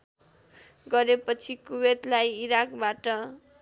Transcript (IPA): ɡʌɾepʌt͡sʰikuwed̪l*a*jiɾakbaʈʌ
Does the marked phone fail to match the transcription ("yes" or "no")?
no